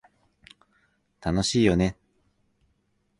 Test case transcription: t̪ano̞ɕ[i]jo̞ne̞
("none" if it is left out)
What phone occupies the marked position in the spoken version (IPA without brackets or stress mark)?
iː